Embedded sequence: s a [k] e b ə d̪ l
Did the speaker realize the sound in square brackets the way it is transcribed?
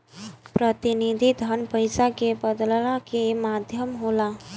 yes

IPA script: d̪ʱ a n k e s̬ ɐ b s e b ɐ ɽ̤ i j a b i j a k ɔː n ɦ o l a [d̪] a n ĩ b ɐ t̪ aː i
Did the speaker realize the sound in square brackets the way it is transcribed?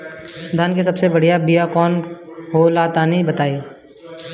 no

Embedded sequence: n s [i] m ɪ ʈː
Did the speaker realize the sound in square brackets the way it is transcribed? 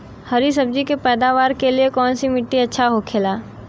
yes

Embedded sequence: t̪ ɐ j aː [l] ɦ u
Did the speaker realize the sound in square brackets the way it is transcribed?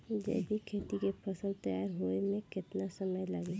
no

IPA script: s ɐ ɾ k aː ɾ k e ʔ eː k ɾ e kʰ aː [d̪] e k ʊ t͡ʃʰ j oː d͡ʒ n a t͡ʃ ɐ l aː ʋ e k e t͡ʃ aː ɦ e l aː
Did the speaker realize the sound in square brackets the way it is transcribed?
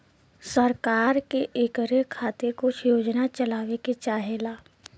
no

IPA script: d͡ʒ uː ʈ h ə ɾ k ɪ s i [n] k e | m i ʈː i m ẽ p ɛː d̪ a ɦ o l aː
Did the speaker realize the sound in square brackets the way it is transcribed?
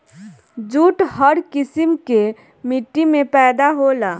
no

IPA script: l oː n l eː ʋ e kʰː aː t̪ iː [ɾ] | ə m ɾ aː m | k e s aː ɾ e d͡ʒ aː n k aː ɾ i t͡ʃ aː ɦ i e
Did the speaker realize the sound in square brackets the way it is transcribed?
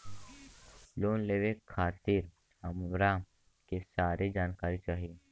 yes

